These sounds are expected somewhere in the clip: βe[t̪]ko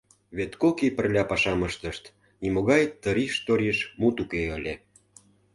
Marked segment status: correct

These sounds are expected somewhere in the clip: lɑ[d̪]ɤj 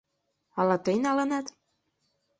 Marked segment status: incorrect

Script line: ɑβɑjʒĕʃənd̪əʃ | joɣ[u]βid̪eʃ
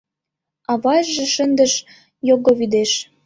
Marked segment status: incorrect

